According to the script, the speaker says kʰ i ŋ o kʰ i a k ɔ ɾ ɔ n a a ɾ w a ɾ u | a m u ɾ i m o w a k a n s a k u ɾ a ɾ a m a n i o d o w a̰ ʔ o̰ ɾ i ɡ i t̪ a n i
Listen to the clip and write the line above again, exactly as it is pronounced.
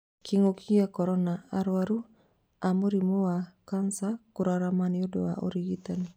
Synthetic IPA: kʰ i ŋ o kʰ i a k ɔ ɾ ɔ n a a ɾ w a ɾ u | a m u ɾ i m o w a k a n s a k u ɾ a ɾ a m a n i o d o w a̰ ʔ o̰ ɾ i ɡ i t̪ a n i